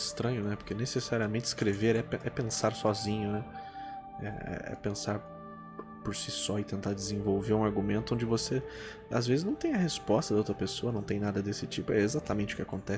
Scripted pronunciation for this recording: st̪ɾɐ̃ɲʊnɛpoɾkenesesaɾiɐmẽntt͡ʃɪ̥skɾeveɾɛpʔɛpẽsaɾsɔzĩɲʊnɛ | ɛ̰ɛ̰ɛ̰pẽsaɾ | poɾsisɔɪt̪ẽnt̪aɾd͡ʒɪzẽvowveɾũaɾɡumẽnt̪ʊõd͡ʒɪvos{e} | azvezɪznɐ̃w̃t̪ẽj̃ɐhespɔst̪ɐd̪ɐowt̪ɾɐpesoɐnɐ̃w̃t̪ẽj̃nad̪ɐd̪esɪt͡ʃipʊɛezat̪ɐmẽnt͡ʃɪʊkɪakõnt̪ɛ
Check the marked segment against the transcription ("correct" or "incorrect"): correct